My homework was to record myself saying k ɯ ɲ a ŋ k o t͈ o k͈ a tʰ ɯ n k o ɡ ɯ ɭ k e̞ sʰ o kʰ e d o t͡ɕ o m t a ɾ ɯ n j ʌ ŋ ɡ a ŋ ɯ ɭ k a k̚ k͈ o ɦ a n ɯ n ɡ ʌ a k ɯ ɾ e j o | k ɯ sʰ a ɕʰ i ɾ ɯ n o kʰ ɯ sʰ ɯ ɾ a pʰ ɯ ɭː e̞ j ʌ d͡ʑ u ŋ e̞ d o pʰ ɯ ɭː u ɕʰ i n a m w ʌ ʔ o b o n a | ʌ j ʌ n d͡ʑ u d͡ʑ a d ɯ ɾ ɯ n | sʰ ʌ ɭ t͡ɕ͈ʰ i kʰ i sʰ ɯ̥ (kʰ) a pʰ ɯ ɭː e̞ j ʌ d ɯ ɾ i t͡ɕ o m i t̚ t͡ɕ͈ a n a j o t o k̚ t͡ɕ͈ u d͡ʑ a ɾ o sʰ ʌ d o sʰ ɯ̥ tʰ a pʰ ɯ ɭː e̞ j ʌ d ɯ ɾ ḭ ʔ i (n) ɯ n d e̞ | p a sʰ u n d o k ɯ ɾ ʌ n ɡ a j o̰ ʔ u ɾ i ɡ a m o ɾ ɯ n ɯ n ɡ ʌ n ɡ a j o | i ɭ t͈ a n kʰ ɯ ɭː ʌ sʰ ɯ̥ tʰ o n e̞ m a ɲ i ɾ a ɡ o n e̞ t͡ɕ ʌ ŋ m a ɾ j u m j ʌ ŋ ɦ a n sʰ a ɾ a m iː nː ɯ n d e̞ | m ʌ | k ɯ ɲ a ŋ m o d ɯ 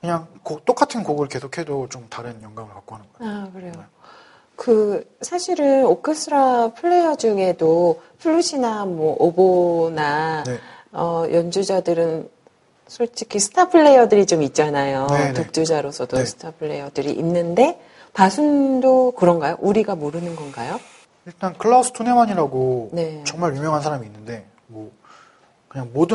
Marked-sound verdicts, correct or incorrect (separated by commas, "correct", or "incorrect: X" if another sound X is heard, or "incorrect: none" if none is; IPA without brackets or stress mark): incorrect: tʰ, incorrect: nː